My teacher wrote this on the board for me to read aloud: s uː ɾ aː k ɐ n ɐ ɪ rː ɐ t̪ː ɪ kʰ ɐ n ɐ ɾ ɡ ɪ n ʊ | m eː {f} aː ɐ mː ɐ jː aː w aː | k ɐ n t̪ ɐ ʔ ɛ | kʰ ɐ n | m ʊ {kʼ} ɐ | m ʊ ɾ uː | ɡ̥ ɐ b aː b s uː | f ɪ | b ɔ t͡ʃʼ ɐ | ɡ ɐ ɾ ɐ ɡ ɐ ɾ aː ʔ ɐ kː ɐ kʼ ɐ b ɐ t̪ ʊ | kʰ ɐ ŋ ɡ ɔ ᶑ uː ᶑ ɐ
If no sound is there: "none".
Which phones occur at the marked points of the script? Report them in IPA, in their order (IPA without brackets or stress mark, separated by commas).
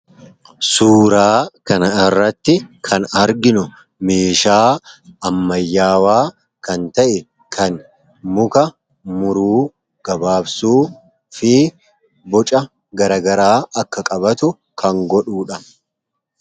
ʃ, k